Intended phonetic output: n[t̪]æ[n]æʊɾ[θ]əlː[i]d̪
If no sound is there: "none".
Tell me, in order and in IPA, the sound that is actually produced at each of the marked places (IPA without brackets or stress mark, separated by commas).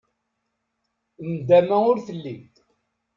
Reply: d̪, m, θ, i